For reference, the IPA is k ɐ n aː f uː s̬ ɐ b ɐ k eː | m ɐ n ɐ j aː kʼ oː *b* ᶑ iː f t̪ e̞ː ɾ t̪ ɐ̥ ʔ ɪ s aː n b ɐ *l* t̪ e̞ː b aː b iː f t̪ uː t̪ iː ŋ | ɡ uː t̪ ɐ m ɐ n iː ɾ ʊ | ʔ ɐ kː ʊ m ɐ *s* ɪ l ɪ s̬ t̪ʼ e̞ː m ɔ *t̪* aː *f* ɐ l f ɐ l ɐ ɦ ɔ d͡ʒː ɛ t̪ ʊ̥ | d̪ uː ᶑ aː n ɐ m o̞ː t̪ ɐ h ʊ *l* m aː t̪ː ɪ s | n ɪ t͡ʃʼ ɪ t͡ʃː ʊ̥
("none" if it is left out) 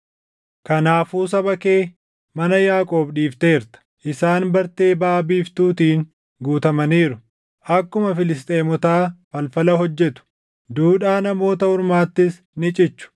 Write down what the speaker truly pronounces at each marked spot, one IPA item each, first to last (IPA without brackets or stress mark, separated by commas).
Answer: b, ɾ, f, t̪, f, ɾ